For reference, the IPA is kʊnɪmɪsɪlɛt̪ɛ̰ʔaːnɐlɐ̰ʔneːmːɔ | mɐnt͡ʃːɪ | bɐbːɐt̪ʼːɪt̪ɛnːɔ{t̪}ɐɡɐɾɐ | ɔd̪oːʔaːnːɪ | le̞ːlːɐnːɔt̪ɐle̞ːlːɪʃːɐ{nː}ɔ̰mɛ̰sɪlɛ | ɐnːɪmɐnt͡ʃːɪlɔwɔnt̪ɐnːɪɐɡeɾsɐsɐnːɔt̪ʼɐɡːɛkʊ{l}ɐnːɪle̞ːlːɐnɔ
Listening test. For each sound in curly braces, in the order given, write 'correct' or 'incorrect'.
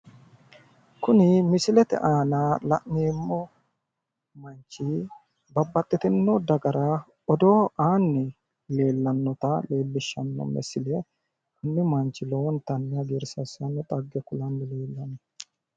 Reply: incorrect, correct, correct

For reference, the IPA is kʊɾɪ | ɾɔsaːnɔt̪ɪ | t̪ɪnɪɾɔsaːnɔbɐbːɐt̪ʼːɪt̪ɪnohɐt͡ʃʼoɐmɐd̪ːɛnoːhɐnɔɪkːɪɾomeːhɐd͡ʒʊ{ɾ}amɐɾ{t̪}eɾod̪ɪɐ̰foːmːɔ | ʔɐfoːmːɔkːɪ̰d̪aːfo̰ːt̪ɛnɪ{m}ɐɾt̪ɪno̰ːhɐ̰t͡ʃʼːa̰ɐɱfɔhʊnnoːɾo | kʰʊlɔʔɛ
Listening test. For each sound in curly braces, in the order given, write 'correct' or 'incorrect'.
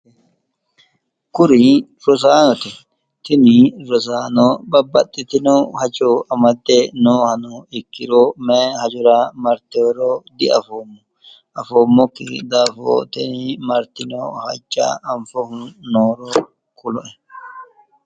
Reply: correct, correct, correct

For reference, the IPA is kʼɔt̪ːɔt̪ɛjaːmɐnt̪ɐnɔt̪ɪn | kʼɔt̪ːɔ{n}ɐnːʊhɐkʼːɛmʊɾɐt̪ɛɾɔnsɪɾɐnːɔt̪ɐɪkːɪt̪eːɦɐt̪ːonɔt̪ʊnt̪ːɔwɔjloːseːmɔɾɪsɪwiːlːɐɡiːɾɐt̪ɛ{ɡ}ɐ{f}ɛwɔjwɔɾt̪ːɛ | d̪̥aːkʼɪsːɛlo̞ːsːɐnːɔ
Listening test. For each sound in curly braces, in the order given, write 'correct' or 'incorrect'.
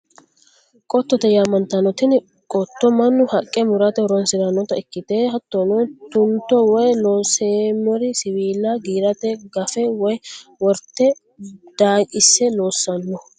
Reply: incorrect, correct, correct

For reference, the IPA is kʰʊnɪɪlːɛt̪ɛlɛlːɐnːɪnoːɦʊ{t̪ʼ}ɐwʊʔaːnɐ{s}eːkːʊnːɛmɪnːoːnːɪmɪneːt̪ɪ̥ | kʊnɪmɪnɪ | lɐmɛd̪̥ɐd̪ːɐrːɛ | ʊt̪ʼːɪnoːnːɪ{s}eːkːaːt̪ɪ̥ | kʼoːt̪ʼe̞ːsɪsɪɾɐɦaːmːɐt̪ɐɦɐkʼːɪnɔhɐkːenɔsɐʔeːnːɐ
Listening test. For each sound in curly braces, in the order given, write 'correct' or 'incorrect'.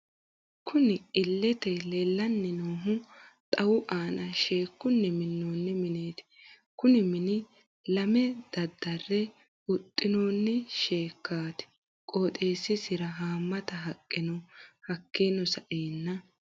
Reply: correct, incorrect, incorrect

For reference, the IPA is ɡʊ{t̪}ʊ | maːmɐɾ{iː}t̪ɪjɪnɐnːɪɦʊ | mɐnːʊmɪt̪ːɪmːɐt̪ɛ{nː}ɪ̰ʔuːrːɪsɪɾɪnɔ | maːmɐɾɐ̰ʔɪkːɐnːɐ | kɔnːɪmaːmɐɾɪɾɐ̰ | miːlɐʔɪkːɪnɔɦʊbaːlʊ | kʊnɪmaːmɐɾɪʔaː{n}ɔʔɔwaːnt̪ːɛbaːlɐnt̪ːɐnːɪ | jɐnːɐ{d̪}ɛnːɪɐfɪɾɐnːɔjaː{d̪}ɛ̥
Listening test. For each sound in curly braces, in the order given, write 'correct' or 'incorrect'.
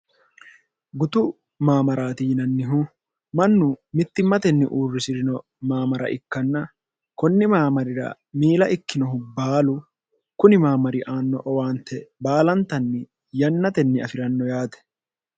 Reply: correct, incorrect, correct, incorrect, incorrect, incorrect

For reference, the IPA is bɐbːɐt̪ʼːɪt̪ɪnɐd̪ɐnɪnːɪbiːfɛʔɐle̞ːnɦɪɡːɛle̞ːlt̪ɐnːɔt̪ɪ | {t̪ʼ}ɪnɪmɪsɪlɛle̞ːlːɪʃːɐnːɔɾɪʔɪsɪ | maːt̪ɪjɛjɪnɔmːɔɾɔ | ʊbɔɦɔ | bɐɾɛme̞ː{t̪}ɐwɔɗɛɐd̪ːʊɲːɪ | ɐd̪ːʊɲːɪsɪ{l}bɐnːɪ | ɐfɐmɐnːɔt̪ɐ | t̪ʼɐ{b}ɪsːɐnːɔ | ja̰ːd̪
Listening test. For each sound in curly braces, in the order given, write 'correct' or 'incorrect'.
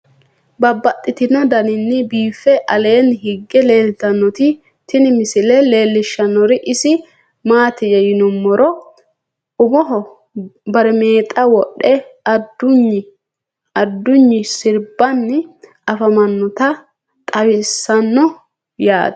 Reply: incorrect, incorrect, incorrect, incorrect

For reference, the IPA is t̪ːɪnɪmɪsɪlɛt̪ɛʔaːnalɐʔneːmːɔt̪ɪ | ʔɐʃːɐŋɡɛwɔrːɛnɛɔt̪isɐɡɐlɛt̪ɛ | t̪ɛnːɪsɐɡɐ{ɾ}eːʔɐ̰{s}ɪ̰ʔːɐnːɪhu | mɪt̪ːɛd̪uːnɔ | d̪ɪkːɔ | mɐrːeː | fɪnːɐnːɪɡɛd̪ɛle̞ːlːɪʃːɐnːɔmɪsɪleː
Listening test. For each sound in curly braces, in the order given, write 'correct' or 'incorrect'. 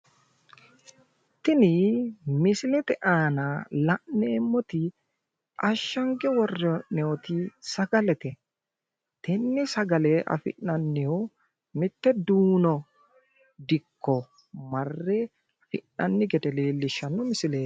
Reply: incorrect, incorrect

